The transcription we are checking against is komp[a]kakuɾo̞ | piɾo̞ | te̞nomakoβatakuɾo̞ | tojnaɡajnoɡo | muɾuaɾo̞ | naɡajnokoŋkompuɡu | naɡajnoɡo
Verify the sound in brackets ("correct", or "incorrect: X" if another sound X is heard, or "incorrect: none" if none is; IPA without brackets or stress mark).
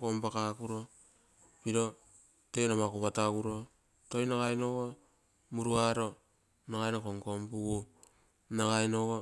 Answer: correct